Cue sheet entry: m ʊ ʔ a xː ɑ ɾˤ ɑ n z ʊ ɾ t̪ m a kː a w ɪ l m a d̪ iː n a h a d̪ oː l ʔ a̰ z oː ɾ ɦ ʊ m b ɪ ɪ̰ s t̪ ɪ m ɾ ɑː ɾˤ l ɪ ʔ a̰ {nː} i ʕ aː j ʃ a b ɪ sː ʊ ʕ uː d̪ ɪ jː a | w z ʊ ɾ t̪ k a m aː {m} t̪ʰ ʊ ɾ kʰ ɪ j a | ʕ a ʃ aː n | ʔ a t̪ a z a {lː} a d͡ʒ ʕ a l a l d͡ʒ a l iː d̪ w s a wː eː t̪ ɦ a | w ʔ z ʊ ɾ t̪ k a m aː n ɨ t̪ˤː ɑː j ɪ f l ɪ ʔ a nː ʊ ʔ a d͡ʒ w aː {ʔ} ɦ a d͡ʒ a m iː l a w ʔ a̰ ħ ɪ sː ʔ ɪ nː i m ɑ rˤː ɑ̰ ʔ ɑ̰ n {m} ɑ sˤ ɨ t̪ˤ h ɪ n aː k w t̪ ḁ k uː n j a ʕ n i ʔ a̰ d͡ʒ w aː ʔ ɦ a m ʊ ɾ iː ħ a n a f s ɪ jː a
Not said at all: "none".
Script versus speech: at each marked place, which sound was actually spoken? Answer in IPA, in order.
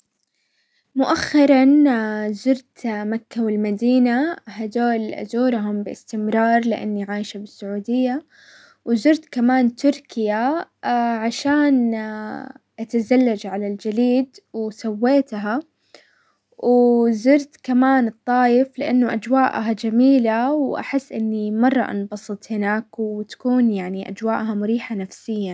nː, n, lː, ʔ, b

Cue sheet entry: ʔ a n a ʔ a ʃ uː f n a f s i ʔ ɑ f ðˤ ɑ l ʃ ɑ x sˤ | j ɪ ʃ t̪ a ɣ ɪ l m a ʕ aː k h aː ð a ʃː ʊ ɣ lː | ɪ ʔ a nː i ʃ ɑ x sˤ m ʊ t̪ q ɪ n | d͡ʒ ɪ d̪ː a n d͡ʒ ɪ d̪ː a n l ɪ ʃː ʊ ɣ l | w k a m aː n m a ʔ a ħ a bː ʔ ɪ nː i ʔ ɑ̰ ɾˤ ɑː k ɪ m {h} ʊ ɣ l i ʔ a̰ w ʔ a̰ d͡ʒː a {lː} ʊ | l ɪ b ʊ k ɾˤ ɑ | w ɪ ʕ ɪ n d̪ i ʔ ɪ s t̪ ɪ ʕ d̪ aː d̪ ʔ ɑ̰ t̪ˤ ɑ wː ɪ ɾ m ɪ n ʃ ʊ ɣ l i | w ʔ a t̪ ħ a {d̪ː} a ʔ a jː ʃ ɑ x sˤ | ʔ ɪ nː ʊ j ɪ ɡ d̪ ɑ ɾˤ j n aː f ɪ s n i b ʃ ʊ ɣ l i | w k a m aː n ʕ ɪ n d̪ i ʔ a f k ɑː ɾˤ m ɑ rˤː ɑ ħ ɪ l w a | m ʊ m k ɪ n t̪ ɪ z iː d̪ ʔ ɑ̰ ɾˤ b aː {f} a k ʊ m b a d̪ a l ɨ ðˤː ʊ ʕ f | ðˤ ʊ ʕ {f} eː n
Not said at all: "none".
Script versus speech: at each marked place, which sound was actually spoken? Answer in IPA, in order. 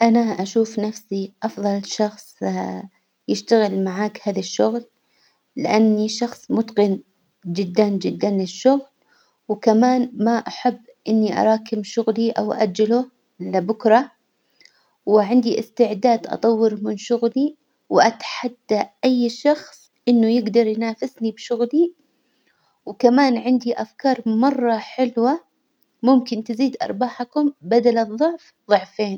ʃ, l, d̪ː, ħ, f

